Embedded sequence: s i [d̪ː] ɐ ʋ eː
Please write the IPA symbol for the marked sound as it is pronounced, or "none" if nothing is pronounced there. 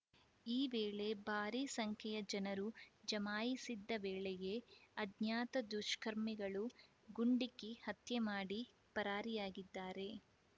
d̪ː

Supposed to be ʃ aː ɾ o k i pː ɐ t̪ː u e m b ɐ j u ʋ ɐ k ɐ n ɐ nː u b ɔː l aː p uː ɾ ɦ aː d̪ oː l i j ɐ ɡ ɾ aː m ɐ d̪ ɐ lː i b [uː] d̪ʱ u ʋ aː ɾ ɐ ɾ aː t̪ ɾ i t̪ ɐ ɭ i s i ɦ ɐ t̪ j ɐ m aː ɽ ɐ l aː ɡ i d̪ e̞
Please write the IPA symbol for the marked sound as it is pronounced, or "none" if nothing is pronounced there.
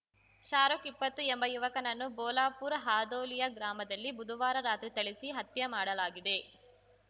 u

